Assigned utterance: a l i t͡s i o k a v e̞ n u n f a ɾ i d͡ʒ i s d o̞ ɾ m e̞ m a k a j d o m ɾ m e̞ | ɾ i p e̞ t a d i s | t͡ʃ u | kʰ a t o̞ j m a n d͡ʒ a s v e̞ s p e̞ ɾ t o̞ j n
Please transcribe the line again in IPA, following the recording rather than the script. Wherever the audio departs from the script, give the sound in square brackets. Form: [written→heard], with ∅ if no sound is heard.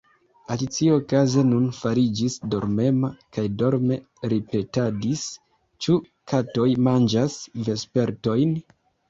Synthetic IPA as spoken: a l i t͡s i o k a [v→z] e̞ n u n f a ɾ i d͡ʒ i s d o̞ ɾ m e̞ m a k a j d o [m→∅] ɾ m e̞ | ɾ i p e̞ t a d i s | t͡ʃ u | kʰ a t o̞ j m a n d͡ʒ a s v e̞ s p e̞ ɾ t o̞ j n